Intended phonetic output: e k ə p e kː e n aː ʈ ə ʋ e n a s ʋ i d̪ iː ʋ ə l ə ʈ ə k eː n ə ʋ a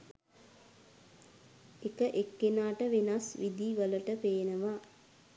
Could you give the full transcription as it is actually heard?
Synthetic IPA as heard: e k ə ʔ e kː e n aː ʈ ə ʋ e n a s ʋ i d̪ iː ʋ ə l ə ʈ ə p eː n ə ʋ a